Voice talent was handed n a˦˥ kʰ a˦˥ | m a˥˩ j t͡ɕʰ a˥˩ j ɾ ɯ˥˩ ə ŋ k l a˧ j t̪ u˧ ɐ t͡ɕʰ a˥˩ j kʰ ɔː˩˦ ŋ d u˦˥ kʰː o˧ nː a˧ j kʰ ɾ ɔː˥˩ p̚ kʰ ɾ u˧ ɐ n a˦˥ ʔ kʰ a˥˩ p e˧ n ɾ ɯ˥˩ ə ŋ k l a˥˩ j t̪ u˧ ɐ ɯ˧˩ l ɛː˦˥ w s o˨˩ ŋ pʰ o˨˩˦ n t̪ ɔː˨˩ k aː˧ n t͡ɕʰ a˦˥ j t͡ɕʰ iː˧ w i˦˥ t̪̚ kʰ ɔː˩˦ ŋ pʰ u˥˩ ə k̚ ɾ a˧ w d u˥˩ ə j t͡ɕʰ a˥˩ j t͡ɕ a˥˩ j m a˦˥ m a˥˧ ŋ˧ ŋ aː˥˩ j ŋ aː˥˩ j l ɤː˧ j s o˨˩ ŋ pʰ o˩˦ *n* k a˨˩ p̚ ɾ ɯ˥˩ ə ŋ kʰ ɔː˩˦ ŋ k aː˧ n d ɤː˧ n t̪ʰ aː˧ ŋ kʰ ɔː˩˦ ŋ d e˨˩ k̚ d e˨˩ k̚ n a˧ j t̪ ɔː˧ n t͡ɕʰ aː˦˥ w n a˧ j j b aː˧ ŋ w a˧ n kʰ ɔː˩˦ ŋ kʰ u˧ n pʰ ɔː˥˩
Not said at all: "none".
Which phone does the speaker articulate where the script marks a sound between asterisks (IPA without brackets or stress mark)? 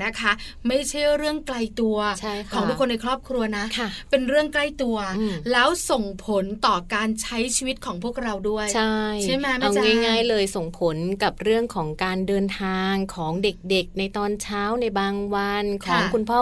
n